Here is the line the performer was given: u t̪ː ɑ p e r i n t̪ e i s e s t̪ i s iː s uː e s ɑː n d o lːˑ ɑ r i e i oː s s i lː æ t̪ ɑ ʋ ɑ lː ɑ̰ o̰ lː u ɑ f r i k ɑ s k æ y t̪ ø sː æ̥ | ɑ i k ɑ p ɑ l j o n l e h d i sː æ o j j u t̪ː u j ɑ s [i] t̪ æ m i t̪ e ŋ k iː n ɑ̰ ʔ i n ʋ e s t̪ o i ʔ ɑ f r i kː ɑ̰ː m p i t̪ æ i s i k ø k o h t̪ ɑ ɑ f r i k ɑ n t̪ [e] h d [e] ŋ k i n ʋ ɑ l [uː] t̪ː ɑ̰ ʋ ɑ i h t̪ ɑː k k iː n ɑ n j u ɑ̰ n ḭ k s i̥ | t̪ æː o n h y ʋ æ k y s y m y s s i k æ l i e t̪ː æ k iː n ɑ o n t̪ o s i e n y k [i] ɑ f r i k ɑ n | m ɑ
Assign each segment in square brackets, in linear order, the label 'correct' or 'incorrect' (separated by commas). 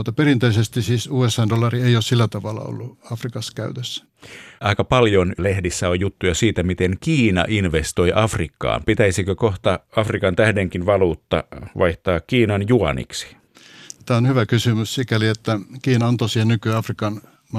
incorrect, incorrect, correct, correct, incorrect